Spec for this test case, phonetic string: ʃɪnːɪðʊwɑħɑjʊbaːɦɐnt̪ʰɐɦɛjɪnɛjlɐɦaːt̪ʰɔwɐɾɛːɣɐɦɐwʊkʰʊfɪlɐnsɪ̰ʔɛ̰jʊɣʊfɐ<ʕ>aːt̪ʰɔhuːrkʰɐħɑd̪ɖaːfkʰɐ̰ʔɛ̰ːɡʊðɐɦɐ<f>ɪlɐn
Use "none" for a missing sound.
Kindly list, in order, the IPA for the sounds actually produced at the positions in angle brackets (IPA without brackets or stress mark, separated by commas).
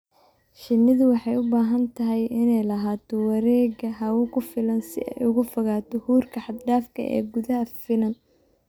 ɣ, f